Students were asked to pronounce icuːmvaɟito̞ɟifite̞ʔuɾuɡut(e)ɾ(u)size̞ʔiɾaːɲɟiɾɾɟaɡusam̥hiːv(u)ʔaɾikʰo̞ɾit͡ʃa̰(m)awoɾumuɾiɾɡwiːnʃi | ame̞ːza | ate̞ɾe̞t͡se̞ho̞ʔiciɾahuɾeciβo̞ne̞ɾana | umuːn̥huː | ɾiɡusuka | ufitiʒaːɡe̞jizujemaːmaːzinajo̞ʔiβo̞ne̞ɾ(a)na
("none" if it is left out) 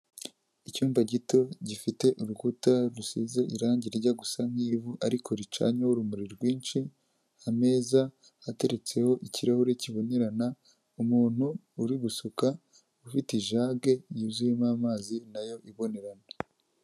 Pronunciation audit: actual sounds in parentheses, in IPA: a, u, u, ɲ, a

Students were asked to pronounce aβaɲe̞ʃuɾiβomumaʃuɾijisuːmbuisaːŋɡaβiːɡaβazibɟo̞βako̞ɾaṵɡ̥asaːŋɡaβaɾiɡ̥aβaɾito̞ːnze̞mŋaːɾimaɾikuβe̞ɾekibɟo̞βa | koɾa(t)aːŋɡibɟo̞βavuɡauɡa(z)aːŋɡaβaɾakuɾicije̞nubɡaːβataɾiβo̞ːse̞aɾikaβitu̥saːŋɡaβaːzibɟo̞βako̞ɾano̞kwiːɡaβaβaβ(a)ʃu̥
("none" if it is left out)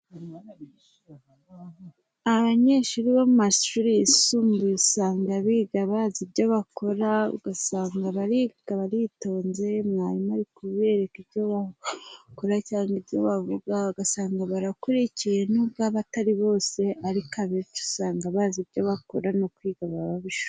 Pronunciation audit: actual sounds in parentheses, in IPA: c, s, i

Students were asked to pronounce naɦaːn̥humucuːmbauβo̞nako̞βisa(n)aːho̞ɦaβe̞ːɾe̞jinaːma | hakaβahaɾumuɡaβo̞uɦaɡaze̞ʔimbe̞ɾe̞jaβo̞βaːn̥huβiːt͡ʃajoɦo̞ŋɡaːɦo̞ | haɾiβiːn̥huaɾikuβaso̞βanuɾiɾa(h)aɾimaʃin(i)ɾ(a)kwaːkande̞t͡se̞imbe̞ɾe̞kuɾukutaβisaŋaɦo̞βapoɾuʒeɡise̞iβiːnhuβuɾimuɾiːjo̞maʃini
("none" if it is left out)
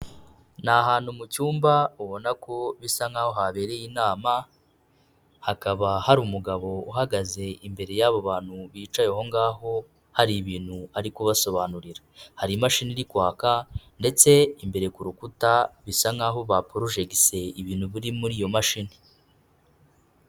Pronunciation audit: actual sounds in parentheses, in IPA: ŋ, h, i, i

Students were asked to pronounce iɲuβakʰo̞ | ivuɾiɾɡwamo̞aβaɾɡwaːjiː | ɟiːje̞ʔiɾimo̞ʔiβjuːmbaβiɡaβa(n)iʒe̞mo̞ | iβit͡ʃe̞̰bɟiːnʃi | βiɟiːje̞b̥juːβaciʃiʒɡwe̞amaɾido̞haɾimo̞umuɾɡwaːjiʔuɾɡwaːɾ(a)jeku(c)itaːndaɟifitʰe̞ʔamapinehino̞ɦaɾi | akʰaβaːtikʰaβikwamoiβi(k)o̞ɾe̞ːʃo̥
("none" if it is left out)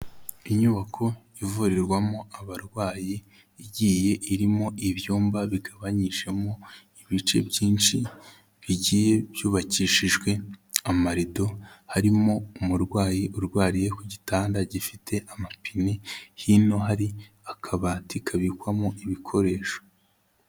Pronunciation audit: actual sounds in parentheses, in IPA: ɲ, i, ɟ, kʰ

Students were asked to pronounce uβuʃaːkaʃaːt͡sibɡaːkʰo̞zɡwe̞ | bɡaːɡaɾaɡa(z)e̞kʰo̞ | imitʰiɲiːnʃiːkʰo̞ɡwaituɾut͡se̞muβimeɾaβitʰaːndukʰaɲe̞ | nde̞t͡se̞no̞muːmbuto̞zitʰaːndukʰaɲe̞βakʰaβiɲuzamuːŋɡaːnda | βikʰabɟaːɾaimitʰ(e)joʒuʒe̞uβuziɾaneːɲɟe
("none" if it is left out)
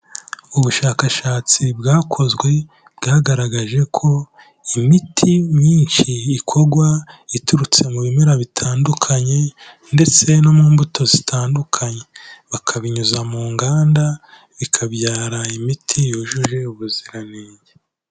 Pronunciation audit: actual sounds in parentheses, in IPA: ʒ, i

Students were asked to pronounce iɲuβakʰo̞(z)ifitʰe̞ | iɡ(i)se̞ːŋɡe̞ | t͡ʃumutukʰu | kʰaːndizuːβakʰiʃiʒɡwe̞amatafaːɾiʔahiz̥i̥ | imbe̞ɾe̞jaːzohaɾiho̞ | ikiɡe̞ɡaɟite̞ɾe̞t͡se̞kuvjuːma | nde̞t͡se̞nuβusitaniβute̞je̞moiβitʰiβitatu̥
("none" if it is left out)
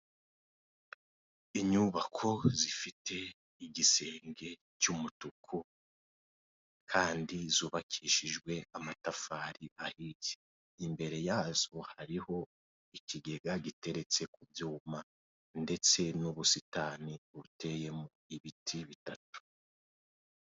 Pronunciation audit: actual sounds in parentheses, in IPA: z, i

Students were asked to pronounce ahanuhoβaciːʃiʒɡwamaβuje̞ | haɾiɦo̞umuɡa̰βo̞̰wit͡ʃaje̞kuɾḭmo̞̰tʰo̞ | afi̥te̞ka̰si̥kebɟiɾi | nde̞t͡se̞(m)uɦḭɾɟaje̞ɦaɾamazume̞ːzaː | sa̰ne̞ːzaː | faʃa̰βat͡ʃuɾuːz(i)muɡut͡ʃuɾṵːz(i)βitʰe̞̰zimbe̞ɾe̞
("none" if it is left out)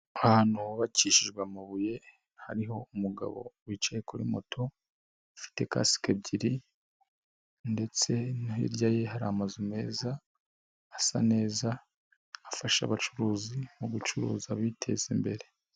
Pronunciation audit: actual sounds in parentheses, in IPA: n, i, a

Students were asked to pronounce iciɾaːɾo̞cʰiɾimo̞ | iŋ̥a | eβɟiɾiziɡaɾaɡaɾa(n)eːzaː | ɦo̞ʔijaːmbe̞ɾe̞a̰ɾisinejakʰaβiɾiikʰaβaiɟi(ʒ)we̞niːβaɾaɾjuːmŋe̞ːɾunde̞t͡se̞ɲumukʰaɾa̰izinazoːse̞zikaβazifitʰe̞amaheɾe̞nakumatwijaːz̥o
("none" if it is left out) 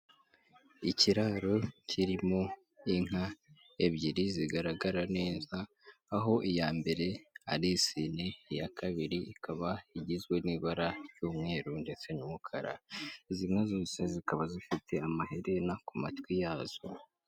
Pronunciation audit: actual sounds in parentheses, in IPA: n, z

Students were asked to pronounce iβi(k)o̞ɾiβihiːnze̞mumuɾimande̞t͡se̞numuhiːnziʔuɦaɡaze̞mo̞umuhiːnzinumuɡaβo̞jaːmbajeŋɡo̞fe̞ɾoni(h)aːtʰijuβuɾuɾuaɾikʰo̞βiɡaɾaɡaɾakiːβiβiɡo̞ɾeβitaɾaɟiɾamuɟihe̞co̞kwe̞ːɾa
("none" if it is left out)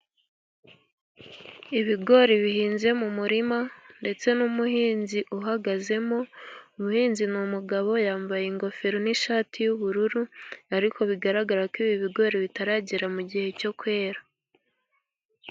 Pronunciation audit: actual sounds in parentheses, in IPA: ɡ, ʃ

